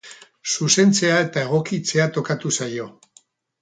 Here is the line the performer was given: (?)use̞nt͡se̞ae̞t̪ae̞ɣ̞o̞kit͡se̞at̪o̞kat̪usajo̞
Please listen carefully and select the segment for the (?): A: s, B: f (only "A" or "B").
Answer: A